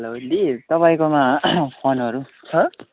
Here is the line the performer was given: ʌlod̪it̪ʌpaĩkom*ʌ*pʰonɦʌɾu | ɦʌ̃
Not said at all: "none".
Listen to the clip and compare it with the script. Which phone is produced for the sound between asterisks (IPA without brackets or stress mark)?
a